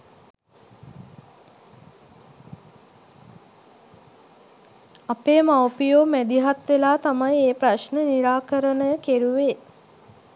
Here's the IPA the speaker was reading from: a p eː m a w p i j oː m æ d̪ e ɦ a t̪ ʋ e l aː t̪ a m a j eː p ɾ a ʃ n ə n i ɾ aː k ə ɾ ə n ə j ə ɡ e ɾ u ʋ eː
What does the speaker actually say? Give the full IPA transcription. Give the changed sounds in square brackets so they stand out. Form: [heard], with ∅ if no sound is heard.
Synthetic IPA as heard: a p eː m a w p i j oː m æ d̪ [i] ɦ a t̪ ʋ e l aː t̪ a m a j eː p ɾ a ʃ n ə n i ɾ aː k ə ɾ ə n ə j ə [k] e ɾ u ʋ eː

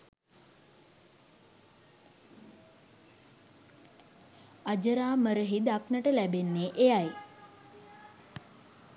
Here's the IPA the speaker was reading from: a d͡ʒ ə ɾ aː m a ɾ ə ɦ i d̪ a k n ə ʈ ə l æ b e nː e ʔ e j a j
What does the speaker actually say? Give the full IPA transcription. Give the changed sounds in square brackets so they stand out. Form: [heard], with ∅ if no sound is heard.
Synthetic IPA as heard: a d͡ʒ ə ɾ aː m [ə] ɾ ə ɦ i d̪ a k n ə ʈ ə l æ b e nː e ʔ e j a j

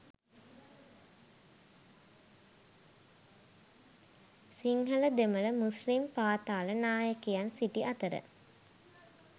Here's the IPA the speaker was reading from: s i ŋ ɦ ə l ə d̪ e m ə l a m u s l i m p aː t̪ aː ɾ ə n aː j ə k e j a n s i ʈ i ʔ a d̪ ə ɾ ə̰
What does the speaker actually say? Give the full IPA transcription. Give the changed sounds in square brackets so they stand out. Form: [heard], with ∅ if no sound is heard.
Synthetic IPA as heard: s i ŋ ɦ ə l ə d̪ e m ə l [ə] m u s l i m p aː t̪ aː [l] ə n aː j ə k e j a n s i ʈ i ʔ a [t̪] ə ɾ ə̰

